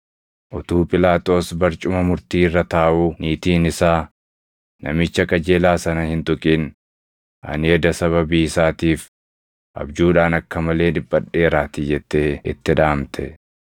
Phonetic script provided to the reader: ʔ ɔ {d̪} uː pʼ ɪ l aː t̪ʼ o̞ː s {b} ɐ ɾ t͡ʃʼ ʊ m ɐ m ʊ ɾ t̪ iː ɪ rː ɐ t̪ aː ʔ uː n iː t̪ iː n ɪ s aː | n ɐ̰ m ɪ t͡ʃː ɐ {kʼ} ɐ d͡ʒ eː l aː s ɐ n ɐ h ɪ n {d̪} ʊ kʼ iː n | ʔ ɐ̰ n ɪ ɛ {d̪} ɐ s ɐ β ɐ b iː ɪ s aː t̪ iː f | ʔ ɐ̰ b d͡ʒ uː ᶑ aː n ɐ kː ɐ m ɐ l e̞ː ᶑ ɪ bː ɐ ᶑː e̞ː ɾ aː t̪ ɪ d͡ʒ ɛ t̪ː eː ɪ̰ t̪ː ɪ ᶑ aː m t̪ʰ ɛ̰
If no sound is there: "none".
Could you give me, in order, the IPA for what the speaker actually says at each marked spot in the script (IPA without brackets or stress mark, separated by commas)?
t̪, b, kʼ, t̪, d̪